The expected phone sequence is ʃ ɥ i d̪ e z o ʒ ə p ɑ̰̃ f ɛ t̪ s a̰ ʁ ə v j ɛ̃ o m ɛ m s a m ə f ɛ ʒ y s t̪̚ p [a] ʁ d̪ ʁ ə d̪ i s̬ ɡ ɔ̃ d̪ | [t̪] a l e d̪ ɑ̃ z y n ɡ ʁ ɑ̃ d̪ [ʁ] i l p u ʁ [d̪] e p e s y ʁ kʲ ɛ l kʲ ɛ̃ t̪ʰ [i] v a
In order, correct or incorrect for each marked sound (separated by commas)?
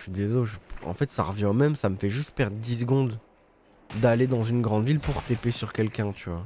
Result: incorrect, incorrect, incorrect, incorrect, incorrect